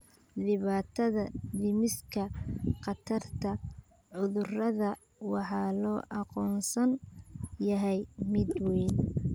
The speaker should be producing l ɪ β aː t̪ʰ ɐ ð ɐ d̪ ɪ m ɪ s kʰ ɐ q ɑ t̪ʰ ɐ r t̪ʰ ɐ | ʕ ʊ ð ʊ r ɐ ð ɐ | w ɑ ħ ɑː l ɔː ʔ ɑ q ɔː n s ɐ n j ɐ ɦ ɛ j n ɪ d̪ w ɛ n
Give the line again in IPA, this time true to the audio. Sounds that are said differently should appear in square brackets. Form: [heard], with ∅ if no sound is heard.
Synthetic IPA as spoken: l ɪ β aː t̪ʰ ɐ ð ɐ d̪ ɪ m ɪ s kʰ ɐ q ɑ t̪ʰ ɐ r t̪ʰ ɐ | ʕ ʊ ð ʊ r ɐ ð ɐ | w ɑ ħ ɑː l ɔː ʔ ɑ q ɔː n s ɐ n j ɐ ɦ ɛ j [m] ɪ d̪ w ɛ n